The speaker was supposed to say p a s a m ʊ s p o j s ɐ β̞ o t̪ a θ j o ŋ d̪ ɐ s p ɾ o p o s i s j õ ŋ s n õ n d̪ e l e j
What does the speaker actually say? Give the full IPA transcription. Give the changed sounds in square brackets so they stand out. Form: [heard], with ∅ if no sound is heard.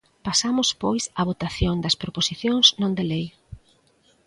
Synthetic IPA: p a s a m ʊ s p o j s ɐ β̞ o t̪ a θ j o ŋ d̪ ɐ s p ɾ o p o s i [θ] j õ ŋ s n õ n d̪ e l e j